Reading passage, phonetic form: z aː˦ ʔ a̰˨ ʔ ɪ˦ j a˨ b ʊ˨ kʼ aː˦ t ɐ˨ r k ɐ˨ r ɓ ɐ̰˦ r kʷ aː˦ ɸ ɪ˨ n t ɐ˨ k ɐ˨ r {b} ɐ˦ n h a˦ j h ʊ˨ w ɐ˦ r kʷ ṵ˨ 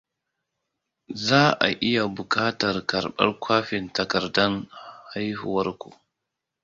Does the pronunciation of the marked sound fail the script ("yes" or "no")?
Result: yes